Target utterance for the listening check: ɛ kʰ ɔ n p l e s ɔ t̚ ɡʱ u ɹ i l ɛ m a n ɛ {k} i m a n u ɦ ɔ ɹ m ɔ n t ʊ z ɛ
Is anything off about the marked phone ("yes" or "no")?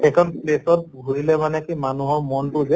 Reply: no